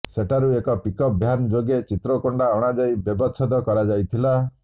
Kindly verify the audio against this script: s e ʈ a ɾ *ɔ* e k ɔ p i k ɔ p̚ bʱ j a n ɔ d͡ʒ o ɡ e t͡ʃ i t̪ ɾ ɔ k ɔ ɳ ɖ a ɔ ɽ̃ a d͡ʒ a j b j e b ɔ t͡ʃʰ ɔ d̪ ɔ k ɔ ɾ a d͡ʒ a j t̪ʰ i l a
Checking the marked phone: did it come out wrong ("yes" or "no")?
yes